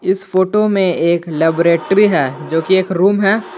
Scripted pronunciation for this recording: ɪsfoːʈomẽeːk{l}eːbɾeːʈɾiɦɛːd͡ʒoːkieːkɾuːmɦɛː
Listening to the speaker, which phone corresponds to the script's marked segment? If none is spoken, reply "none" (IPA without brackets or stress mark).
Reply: l